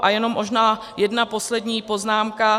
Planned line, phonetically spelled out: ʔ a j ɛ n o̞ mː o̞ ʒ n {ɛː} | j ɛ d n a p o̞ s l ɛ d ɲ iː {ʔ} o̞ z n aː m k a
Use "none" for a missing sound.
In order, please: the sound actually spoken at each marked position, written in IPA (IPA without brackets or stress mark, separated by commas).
aː, p